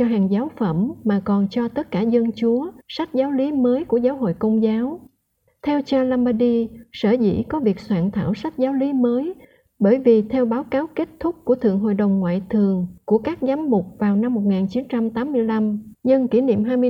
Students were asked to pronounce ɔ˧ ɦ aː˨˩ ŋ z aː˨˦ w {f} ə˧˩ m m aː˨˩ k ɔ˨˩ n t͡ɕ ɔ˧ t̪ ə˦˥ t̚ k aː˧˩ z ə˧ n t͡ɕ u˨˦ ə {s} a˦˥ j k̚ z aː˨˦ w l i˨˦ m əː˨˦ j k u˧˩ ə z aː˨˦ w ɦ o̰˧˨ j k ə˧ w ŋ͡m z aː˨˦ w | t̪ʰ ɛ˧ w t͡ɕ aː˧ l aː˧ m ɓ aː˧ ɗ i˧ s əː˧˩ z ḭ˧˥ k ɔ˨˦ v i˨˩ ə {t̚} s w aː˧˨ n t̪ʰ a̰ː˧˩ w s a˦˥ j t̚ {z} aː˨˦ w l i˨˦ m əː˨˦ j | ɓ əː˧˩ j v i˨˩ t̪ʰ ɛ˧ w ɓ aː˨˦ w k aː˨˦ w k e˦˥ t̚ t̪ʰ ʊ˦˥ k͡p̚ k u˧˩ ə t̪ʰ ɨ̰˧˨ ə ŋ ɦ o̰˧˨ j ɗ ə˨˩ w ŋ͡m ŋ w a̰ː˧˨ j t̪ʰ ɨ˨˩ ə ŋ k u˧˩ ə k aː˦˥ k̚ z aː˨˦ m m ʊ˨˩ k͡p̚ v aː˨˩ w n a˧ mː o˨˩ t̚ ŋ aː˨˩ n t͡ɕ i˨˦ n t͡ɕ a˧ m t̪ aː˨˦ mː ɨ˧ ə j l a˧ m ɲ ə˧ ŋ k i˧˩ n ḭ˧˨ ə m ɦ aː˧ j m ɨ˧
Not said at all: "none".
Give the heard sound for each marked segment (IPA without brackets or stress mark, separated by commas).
f, s, k̚, z